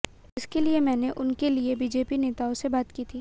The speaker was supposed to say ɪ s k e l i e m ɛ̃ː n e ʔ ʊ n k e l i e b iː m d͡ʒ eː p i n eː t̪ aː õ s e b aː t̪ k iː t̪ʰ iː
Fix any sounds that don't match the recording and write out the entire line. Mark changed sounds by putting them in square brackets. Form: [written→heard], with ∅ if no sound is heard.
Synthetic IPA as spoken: ɪ s k e l i e m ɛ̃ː n e ʔ ʊ n k e l i e b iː [m→∅] d͡ʒ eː p i n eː t̪ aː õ s e b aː t̪ k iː t̪ʰ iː